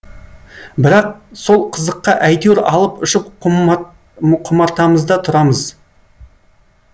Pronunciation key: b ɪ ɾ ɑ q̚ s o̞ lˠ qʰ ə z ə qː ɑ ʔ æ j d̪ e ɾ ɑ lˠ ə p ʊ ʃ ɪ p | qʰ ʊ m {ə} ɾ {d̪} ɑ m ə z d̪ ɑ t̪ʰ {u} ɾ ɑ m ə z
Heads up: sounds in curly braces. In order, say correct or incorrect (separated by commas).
incorrect, incorrect, incorrect